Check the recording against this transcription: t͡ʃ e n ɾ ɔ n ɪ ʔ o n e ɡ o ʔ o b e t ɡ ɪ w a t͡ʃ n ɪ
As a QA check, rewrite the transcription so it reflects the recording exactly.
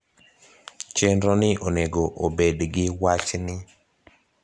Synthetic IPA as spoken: t͡ʃ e n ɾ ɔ n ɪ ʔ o n e ɡ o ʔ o b e d ɡ ɪ w a t͡ʃ n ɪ